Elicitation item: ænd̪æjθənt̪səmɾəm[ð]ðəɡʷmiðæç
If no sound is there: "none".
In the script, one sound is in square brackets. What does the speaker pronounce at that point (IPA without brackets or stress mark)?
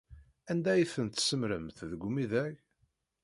θ